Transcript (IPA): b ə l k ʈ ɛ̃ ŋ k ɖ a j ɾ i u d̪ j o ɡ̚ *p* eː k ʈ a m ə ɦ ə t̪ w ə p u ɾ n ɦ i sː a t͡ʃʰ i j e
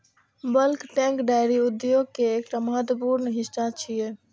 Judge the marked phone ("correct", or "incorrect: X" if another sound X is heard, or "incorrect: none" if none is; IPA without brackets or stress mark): incorrect: k